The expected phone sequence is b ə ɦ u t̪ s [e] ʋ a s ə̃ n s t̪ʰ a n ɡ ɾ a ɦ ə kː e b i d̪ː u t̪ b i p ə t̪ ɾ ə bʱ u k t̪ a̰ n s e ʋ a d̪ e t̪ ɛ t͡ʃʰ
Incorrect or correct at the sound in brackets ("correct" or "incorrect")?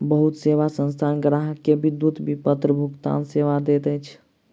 correct